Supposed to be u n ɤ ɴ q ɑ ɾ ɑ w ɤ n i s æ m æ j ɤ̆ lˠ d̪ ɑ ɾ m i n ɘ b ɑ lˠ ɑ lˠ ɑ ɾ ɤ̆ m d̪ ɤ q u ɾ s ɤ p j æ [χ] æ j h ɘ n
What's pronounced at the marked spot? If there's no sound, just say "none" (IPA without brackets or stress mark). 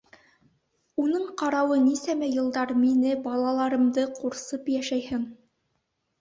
ʃ